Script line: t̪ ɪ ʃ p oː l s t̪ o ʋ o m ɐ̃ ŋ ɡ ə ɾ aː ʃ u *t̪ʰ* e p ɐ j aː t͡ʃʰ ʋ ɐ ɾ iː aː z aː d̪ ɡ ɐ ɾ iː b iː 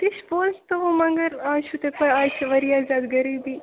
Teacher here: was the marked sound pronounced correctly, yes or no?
no